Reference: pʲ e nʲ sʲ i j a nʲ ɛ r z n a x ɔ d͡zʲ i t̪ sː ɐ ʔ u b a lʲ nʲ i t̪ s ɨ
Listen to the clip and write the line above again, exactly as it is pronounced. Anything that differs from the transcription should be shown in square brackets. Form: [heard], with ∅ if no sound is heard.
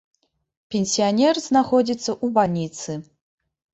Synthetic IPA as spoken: pʲ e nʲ sʲ i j a nʲ ɛ r z n a x ɔ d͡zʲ i t̪ sː ɐ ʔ u b a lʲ nʲ i t̪ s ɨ